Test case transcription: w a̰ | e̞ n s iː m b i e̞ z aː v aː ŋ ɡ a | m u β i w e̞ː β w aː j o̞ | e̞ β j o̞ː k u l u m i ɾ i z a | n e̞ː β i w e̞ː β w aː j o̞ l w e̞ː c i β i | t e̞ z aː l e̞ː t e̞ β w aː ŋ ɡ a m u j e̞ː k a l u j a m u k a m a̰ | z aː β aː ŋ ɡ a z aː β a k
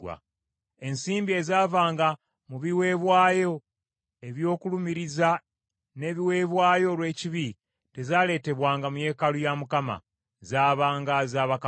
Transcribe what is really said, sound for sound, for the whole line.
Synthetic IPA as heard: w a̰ | e̞ n s iː m b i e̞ z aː v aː ŋ ɡ a | m u β i w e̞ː β w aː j o̞ | e̞ β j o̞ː k u l u m i ɾ i z a | n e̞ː β i w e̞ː β w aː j o̞ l w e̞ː c i β i | t e̞ z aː l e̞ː t e̞ β w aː ŋ ɡ a m u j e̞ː k a l u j a m u k a m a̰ | z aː β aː ŋ ɡ a z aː β a k